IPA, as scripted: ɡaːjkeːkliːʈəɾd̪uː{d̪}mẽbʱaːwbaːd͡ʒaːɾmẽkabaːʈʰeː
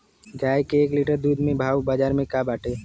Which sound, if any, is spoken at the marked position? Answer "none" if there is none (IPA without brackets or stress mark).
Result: d̪